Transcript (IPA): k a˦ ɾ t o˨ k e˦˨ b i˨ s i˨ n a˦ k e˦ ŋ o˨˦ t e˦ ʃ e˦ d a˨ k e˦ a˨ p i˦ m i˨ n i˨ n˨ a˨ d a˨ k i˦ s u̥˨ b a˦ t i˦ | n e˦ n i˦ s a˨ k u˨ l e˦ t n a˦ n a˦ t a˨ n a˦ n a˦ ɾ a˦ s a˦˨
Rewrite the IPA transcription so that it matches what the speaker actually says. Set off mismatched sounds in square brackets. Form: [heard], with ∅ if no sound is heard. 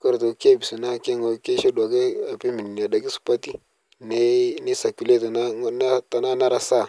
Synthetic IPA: k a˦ ɾ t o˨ k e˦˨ b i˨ s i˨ n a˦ k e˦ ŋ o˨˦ [k] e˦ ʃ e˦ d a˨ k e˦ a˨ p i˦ m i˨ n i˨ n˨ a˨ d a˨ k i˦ s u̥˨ [p] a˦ t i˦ | n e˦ n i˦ s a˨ k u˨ l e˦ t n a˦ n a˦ t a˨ n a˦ n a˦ ɾ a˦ s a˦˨

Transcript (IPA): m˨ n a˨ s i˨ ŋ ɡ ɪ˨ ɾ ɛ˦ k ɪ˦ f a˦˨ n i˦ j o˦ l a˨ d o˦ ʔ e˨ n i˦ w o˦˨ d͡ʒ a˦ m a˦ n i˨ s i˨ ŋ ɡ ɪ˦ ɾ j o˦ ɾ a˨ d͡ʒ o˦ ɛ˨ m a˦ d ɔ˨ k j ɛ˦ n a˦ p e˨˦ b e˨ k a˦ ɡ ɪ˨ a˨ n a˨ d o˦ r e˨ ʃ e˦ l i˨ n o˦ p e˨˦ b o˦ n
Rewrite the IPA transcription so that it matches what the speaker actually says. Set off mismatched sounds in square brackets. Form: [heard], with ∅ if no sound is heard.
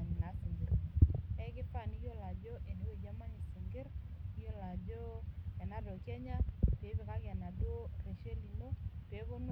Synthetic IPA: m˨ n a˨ s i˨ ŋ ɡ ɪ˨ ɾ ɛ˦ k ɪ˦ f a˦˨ n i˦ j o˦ l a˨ [d͡ʒ] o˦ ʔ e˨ n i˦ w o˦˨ d͡ʒ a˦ m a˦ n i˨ s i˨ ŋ ɡ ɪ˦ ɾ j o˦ [l] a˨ d͡ʒ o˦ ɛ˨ [n] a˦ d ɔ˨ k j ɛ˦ [ɲ] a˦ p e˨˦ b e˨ k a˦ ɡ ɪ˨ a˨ n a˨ d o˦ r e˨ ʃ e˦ l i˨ n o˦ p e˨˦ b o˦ n

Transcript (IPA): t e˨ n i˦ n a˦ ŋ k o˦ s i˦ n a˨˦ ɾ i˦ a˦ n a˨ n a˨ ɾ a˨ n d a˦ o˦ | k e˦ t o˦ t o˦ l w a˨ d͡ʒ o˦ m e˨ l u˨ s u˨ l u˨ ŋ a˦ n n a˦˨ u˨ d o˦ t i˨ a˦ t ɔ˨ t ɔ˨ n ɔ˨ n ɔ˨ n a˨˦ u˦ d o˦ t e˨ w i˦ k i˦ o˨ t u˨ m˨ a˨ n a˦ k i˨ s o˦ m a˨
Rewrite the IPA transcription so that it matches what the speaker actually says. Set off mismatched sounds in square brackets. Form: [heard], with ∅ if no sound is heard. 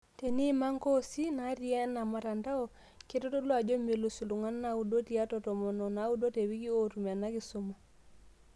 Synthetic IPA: t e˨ n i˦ [m] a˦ ŋ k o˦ s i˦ n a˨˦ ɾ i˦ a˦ n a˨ [m] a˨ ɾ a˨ n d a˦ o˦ | k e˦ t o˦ t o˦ l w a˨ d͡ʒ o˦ m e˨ l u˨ s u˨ l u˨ ŋ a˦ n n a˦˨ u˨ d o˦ t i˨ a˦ t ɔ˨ t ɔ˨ [m] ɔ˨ n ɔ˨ n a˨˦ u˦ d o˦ t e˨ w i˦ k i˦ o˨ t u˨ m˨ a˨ n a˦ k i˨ s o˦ m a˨

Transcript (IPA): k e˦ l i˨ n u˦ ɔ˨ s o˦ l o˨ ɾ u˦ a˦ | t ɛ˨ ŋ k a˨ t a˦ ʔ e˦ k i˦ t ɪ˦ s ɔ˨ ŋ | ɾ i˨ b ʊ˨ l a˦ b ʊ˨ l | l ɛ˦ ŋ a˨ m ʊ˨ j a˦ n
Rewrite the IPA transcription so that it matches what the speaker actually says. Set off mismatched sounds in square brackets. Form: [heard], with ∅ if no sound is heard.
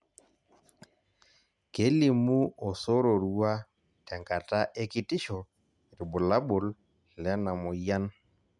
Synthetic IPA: k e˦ l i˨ [m] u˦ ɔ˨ s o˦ [ɾ] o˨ ɾ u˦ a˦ | t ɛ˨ ŋ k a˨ t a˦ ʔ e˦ k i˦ t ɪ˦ [ʃ] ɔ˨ [∅] | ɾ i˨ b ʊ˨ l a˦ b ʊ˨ l | l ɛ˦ [n] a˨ m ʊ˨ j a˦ n

